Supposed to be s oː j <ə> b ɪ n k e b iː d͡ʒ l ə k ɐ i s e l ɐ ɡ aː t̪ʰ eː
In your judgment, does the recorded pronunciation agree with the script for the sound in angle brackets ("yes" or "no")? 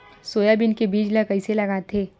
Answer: no